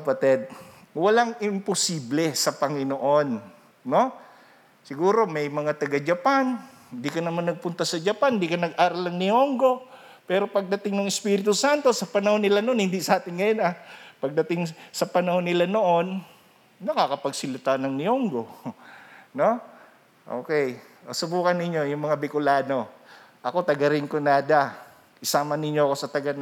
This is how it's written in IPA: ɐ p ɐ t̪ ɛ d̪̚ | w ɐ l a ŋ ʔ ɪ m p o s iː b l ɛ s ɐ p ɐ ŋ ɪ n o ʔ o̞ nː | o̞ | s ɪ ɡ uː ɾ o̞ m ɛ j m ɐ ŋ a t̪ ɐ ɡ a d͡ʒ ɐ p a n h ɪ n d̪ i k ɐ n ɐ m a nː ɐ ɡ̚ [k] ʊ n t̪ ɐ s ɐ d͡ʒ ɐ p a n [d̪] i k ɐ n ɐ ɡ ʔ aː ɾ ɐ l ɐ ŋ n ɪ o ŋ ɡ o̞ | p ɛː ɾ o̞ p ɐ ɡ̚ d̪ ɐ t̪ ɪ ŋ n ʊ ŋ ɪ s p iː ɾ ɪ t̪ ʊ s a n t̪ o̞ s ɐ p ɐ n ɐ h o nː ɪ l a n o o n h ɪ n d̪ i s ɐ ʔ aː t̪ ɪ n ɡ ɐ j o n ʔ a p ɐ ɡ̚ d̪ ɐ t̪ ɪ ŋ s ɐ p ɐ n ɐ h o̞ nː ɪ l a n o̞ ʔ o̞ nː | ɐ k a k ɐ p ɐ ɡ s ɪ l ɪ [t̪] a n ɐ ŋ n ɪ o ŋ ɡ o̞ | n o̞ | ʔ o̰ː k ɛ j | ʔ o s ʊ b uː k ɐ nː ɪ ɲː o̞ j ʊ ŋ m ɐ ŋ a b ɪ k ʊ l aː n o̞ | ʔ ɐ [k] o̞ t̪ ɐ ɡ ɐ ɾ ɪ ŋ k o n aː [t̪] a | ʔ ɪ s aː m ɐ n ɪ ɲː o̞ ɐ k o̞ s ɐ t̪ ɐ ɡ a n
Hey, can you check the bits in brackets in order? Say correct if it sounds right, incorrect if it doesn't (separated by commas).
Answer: incorrect, correct, correct, correct, incorrect